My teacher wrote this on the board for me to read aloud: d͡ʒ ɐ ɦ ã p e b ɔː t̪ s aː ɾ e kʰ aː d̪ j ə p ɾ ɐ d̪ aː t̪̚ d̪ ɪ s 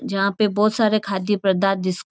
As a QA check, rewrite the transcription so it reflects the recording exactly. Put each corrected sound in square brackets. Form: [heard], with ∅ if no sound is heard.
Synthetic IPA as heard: d͡ʒ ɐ ɦ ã p e b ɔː t̪ s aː ɾ e kʰ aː d̪ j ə p ɾ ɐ d̪ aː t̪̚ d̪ ɪ s